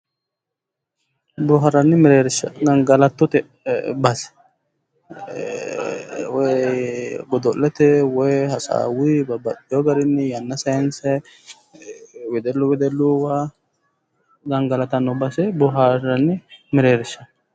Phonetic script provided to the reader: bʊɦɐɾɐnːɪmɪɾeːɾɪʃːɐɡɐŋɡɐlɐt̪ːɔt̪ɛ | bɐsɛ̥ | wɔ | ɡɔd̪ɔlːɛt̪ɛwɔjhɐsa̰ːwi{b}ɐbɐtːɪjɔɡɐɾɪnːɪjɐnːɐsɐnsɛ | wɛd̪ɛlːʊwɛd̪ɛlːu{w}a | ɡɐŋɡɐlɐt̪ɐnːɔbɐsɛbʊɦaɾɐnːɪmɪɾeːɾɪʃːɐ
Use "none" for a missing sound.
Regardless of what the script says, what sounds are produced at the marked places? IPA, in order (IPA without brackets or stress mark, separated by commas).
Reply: b, w